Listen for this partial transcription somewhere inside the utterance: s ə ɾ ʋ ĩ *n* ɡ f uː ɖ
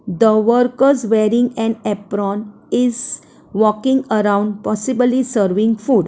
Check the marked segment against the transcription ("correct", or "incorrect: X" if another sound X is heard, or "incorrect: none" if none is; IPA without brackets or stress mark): incorrect: ŋ